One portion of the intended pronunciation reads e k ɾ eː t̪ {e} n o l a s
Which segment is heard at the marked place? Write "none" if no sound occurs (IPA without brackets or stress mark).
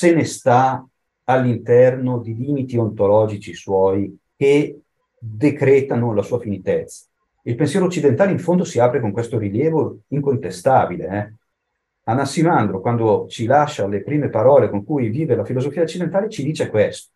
a